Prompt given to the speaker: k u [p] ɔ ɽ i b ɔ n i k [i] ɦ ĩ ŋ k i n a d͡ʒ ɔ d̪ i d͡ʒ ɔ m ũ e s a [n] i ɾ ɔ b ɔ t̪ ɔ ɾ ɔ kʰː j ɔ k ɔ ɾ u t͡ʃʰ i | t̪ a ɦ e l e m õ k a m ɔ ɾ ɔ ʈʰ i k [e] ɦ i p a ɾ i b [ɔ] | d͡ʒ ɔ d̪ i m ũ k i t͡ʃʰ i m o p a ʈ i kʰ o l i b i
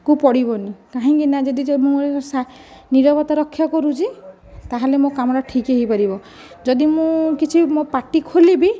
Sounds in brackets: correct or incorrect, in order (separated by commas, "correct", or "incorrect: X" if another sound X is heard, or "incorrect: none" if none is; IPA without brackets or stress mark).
correct, incorrect: a, correct, correct, correct